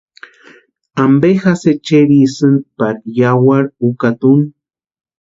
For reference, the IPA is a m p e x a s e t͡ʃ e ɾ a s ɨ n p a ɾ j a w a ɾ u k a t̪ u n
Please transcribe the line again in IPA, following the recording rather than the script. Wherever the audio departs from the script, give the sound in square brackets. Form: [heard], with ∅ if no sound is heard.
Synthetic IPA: a m [b] e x a s e t͡ʃ e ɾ [i] s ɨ n p a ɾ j a w a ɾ u k a t̪ u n